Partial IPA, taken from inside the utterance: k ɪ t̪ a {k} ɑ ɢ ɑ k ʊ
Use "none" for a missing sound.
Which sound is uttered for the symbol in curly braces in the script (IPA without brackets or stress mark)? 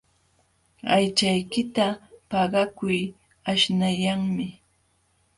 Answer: p